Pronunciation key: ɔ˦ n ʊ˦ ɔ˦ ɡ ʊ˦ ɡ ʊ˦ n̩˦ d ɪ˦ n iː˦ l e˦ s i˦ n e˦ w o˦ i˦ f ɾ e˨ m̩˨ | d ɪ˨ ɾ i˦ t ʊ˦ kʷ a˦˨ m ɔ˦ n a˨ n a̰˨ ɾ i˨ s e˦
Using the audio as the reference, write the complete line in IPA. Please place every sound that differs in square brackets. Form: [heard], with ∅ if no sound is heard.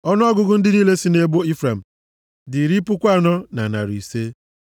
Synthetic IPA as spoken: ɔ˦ n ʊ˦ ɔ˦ ɡ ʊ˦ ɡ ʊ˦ n̩˦ d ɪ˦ n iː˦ l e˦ s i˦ n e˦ [b] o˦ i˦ f ɾ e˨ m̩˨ | d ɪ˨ ɾ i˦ [p] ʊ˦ kʷ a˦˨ [n] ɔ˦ n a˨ n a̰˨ ɾ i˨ s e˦